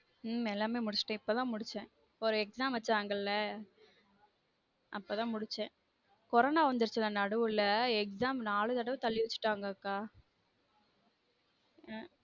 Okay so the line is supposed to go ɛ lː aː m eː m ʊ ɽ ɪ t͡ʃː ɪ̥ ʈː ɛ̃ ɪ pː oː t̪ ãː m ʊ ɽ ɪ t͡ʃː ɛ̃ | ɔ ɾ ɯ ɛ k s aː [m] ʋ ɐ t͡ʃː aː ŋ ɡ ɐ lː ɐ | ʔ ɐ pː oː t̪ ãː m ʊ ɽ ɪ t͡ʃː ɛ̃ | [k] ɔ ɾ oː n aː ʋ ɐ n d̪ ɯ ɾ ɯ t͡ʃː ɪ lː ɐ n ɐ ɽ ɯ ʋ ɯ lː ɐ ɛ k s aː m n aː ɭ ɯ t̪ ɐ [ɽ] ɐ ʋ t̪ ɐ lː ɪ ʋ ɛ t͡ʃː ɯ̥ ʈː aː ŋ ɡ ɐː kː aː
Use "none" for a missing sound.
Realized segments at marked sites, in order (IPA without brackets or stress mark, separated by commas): m, k, ɽ